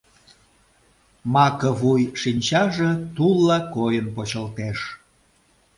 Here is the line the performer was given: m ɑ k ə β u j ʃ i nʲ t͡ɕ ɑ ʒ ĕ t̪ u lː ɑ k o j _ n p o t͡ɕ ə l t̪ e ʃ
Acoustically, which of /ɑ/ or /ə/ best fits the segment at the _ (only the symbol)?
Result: ə